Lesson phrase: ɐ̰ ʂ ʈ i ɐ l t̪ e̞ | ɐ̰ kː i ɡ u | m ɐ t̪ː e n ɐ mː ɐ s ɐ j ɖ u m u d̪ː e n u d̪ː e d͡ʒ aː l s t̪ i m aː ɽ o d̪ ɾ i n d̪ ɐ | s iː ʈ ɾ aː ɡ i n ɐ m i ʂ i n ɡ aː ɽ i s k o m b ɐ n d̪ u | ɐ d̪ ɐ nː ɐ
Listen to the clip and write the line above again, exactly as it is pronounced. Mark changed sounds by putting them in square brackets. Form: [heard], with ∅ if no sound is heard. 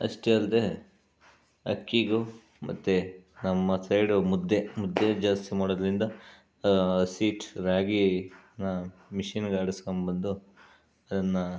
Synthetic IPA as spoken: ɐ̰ ʂ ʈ [e] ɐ l [d̪] e̞ | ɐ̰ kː i ɡ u | m ɐ t̪ː e n ɐ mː ɐ s ɐ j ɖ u m u d̪ː e [m] u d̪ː e d͡ʒ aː [∅] s t̪ i m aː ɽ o d̪ ɾ i n d̪ ɐ | s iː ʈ ɾ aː ɡ i n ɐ m i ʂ i n ɡ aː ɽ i s k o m b ɐ n d̪ u | ɐ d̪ ɐ nː ɐ